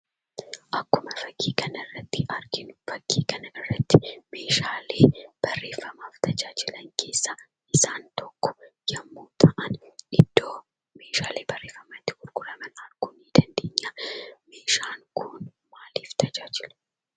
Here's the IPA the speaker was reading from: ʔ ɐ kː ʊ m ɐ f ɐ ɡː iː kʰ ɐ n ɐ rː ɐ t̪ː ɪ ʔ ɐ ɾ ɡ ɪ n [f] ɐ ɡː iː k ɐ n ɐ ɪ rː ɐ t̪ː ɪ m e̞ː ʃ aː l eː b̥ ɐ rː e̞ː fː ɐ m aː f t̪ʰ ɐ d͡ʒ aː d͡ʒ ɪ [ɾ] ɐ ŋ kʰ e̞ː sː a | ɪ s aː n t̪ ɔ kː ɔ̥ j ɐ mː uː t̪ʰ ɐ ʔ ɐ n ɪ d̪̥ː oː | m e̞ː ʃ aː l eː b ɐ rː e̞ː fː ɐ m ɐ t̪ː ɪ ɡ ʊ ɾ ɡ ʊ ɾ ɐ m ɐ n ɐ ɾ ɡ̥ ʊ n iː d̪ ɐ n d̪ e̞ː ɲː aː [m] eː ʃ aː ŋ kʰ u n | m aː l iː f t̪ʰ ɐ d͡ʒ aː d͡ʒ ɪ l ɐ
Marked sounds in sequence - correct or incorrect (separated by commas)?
correct, incorrect, correct